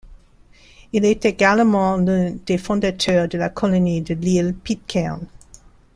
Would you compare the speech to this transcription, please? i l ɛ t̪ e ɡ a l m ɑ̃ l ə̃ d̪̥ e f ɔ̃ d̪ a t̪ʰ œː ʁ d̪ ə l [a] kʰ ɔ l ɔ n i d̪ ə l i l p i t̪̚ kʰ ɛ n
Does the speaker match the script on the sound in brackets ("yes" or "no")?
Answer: yes